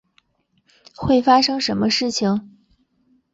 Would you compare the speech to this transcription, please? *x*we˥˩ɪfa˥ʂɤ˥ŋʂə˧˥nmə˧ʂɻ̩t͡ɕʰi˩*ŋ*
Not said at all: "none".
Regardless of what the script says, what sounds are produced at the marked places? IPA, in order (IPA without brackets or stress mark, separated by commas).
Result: x, ŋ